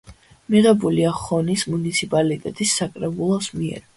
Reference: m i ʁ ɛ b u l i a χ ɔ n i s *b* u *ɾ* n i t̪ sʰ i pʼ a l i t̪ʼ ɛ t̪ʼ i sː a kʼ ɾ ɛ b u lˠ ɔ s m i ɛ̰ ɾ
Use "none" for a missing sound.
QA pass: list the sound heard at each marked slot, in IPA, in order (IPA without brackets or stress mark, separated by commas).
m, none